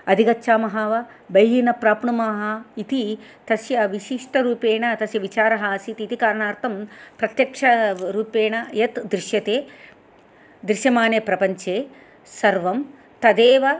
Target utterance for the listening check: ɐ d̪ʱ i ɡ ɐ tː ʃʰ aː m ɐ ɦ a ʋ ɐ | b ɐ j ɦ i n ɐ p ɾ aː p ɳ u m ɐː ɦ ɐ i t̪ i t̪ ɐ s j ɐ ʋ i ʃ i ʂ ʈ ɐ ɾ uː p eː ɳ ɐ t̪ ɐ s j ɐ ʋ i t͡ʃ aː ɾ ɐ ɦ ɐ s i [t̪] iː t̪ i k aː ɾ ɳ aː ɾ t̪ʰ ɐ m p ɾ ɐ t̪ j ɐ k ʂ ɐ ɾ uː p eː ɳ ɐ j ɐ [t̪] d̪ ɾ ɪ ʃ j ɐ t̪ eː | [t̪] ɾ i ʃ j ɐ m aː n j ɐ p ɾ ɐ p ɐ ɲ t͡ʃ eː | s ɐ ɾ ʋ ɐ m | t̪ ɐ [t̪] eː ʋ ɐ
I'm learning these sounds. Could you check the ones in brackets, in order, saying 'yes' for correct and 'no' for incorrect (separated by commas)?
yes, yes, no, no